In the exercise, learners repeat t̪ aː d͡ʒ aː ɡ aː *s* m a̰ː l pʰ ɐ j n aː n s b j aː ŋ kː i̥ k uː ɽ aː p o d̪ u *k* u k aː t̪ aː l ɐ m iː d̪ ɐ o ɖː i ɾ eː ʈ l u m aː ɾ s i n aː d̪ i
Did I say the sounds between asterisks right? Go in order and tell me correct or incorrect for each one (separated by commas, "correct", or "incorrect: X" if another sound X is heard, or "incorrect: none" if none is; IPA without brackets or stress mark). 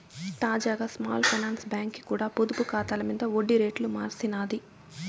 correct, incorrect: p